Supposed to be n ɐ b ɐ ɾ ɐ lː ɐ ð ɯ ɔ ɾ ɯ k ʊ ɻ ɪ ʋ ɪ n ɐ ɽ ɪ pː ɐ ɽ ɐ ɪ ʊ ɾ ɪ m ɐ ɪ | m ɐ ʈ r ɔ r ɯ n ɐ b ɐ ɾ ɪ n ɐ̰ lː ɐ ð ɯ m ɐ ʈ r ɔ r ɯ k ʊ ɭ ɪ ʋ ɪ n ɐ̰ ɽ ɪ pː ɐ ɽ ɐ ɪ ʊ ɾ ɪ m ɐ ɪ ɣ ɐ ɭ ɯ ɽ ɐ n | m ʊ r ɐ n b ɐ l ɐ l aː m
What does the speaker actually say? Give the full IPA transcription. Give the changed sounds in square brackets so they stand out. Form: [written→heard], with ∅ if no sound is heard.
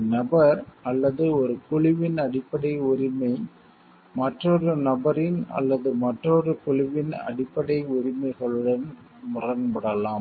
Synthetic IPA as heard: n ɐ b ɐ ɾ ɐ lː ɐ ð ɯ ɔ ɾ ɯ k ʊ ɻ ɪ ʋ ɪ n ɐ ɽ ɪ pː ɐ ɽ ɐ ɪ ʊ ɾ ɪ m ɐ ɪ | m ɐ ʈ r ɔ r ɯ n ɐ b ɐ ɾ ɪ n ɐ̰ lː ɐ ð ɯ m ɐ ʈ r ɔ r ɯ k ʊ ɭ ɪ ʋ ɪ n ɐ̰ ɽ ɪ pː ɐ ɽ ɐ ɪ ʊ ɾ ɪ m ɐ ɪ ɣ ɐ ɭ ɯ ɽ ɐ n | m ʊ r ɐ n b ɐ [l→ɽ] ɐ l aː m

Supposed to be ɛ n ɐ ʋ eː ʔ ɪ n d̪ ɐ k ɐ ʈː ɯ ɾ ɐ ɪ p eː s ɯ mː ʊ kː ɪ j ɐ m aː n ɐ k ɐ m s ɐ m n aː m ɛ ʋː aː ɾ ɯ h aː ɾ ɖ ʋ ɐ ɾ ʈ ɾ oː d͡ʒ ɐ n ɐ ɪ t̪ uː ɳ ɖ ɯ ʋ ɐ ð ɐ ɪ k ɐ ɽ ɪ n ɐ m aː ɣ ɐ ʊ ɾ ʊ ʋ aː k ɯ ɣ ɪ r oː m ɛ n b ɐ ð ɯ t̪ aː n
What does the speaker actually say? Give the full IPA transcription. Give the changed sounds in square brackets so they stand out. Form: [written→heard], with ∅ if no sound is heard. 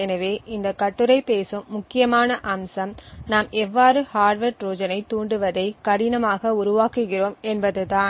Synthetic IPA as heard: ɛ n ɐ ʋ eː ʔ ɪ n d̪ ɐ k ɐ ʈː ɯ ɾ ɐ ɪ p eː s ɯ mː ʊ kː ɪ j ɐ m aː n ɐ [k→ʔ] ɐ m s ɐ m n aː m ɛ ʋː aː ɾ ɯ h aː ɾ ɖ ʋ ɐ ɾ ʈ ɾ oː d͡ʒ ɐ n ɐ ɪ t̪ uː ɳ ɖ ɯ ʋ ɐ ð ɐ ɪ k ɐ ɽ ɪ n ɐ m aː ɣ ɐ ʊ ɾ ʊ ʋ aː k ɯ ɣ ɪ r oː m ɛ n b ɐ ð ɯ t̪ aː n

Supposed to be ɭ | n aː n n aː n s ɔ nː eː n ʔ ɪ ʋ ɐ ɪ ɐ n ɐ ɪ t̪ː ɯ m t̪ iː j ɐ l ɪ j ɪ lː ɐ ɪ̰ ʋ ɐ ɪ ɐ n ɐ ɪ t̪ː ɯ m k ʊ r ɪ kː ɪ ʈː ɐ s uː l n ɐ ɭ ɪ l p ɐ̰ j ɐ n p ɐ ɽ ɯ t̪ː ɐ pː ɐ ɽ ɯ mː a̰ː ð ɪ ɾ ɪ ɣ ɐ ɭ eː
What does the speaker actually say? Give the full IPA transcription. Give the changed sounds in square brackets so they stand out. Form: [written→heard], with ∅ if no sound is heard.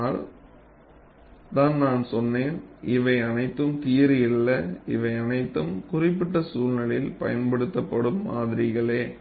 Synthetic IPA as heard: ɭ | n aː n n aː n s ɔ nː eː n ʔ ɪ ʋ ɐ ɪ ɐ n ɐ ɪ t̪ː ɯ m t̪ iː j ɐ [l→ɾ] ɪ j ɪ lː ɐ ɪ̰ ʋ ɐ ɪ ɐ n ɐ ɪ t̪ː ɯ m k ʊ r ɪ [kː→pː] ɪ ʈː ɐ s uː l n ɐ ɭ ɪ l p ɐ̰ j ɐ n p ɐ ɽ ɯ t̪ː ɐ pː ɐ ɽ ɯ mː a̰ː ð ɪ ɾ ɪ ɣ ɐ ɭ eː

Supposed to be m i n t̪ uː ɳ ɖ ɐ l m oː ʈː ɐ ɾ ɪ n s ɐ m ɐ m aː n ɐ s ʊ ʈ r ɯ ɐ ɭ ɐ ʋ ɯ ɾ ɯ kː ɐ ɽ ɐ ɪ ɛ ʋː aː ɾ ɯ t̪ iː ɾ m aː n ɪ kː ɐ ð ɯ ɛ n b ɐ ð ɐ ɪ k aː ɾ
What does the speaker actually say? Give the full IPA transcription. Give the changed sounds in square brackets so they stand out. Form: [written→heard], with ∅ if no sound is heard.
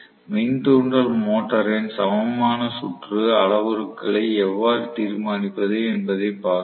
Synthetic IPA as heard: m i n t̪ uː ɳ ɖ ɐ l m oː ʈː ɐ ɾ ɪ n s ɐ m ɐ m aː n ɐ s ʊ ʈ r ɯ ɐ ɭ ɐ ʋ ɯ ɾ ɯ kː ɐ [ɽ→ɭ] ɐ ɪ ɛ ʋː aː ɾ ɯ t̪ iː ɾ m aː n ɪ [kː→pː] ɐ ð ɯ ɛ n b ɐ ð ɐ ɪ [k→p] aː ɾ

